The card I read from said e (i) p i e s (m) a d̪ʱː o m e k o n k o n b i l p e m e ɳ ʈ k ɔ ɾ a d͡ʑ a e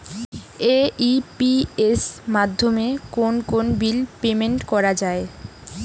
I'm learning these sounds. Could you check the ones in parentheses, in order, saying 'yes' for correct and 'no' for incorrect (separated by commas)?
yes, yes